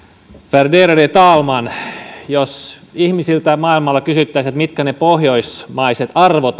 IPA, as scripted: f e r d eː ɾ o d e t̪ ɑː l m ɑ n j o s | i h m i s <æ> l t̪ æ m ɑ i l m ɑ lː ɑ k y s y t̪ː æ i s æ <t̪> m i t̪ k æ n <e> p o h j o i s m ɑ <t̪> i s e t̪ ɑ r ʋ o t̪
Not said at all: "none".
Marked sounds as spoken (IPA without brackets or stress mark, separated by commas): i, t̪, e, none